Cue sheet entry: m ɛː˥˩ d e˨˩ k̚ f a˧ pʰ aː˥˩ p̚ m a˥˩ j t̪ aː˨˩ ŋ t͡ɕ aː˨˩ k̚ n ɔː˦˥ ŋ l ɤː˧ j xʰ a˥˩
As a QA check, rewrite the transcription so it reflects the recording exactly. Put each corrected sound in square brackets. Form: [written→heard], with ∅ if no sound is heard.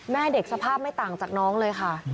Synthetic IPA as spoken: m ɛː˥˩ d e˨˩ k̚ [f→s] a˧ pʰ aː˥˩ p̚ m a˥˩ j t̪ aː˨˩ ŋ t͡ɕ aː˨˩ k̚ n ɔː˦˥ ŋ l ɤː˧ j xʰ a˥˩